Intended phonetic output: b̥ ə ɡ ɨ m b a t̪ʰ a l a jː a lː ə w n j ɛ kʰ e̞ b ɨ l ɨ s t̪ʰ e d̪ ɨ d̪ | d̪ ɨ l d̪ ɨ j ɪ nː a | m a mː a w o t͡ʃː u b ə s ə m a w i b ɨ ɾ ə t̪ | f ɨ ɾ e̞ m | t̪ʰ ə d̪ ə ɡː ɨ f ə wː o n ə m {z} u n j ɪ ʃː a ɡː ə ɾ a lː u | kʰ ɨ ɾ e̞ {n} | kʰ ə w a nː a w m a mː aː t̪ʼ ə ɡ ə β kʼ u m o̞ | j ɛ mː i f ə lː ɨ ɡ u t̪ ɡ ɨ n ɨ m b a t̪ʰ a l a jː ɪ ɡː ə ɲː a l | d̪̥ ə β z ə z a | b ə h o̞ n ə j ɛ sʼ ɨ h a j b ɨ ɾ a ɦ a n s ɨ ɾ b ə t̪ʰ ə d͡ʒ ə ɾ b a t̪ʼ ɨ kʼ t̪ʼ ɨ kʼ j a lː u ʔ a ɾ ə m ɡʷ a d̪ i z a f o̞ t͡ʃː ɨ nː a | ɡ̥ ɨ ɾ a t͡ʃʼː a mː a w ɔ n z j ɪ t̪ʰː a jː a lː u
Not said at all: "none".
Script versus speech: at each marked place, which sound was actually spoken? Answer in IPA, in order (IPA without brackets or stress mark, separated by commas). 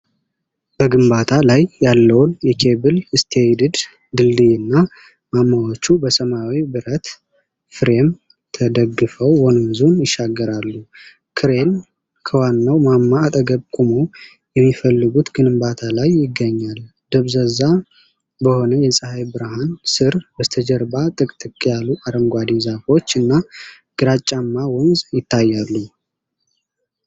z, n